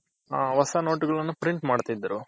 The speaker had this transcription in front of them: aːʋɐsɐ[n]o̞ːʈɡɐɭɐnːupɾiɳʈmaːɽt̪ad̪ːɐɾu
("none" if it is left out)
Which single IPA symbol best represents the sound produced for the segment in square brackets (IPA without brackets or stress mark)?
n